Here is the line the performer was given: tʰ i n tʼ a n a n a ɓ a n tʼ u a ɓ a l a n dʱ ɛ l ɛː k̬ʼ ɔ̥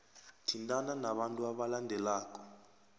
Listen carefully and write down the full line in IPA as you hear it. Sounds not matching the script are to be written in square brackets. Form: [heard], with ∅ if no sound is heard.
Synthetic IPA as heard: tʰ i n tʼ a n a n a ɓ a n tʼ u a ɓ a l a n dʱ ɛ l [aː] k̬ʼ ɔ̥